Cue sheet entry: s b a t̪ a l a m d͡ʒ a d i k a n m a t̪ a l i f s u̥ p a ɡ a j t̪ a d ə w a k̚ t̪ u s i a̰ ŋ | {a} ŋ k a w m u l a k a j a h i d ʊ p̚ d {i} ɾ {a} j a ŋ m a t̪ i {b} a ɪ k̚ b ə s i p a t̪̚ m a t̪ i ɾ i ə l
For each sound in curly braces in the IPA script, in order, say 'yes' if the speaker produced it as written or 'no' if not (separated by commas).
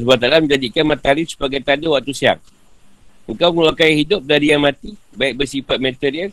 no, no, no, yes